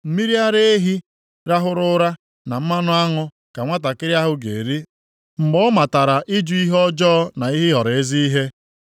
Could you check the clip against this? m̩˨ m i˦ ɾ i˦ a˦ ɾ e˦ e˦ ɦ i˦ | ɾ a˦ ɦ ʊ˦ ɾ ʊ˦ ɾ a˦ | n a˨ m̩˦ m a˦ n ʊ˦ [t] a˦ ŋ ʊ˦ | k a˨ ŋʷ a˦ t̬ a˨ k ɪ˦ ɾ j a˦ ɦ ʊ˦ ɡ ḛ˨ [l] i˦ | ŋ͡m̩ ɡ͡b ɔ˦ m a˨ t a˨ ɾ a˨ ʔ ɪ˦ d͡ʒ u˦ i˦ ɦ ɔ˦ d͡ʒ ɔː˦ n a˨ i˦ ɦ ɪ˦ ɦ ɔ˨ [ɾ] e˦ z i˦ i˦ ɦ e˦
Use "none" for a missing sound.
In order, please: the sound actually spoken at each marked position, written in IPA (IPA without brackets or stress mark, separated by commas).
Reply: none, ɾ, ɾ